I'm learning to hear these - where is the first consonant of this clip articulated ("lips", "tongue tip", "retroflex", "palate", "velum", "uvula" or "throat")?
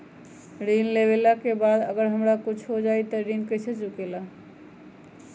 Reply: tongue tip